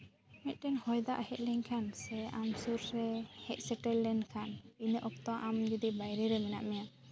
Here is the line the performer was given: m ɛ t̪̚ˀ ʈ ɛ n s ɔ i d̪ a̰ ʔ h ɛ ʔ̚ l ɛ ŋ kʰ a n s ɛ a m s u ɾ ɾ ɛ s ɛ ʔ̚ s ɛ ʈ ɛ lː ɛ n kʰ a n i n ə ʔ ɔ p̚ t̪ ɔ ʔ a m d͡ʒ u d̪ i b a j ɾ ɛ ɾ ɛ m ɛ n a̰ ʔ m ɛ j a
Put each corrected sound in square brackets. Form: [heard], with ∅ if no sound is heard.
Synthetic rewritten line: m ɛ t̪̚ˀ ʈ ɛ n [h] ɔ [j] d̪ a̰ ʔ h ɛ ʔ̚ l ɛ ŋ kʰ a n s ɛ a m s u ɾ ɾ ɛ [h] ɛ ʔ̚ s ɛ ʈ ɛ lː ɛ n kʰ a n i n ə ʔ ɔ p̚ t̪ ɔ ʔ a m d͡ʒ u d̪ i b a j ɾ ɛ ɾ ɛ m ɛ n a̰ ʔ m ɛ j a